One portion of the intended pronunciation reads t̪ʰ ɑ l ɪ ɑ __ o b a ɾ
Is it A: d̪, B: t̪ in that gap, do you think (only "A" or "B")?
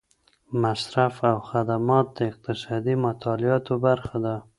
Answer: B